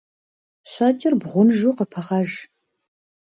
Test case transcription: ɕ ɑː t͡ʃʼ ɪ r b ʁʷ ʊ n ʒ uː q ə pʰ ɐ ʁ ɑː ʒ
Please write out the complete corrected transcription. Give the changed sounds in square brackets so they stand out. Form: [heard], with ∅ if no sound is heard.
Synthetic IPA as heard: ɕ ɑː t͡ʃʼ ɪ r b ʁʷ ʊ n ʒ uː q ə pʰ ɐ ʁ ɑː ʒ